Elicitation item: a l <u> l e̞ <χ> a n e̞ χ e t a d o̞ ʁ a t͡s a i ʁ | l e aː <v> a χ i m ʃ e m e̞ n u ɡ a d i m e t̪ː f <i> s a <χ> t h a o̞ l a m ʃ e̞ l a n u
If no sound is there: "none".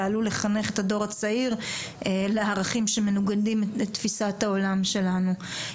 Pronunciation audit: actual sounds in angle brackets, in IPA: u, χ, ʁ, i, none

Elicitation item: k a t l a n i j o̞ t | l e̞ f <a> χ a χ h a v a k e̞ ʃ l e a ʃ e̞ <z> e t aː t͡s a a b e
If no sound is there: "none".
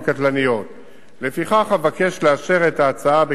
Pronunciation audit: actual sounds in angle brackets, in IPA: i, ʁ

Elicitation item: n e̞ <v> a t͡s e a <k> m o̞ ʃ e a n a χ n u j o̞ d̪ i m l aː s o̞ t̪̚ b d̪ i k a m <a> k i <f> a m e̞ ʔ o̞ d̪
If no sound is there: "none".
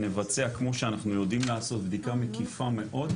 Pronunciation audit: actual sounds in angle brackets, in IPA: v, k, e, f

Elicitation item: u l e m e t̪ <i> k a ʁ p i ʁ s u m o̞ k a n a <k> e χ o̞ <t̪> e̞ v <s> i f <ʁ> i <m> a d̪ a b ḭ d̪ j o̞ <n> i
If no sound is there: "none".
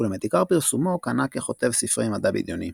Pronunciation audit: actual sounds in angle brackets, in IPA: i, k, t̪, s, ʁ, m, n

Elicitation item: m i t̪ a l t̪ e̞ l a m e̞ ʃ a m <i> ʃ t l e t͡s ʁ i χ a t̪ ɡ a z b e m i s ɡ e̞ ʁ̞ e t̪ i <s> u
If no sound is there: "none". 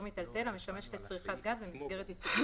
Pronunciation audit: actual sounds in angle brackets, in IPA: e, s

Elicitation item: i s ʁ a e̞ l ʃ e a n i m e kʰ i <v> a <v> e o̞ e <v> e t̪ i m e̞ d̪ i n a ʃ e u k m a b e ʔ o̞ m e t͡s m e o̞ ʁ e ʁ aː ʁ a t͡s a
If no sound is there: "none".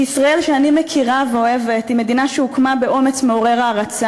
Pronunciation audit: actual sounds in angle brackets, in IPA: ʁ, v, v

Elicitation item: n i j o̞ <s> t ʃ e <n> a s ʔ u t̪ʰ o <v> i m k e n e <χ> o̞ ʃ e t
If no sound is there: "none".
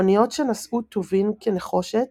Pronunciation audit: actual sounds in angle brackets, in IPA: none, n, v, χ

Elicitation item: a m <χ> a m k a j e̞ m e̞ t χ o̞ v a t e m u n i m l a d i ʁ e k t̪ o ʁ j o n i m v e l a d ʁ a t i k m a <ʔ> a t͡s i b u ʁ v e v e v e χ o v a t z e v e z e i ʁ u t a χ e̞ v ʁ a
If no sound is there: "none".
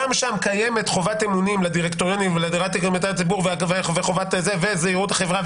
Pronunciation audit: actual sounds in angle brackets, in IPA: ʃ, t

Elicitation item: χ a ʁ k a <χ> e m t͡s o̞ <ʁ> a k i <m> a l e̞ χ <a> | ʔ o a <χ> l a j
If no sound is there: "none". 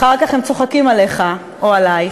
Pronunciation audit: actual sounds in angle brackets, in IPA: χ, χ, m, a, none

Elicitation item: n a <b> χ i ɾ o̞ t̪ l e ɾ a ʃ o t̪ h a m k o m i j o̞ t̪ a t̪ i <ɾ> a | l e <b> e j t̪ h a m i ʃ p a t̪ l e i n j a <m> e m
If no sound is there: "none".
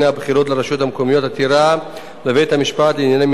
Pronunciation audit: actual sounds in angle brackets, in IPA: b, ɾ, v, n

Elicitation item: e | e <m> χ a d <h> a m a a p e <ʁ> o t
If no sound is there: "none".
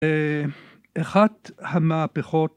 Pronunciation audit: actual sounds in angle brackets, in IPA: none, h, χ

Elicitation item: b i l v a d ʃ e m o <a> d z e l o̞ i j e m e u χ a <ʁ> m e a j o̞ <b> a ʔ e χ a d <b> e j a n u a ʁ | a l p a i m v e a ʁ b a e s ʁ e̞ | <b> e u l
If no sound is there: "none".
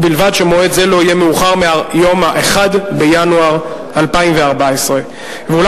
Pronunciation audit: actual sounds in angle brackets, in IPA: e, ʁ, m, b, v

